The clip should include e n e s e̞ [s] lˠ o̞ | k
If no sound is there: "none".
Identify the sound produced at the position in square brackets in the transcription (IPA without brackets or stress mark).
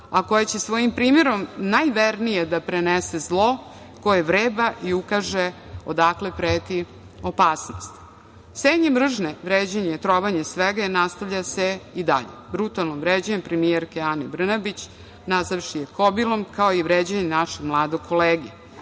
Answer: z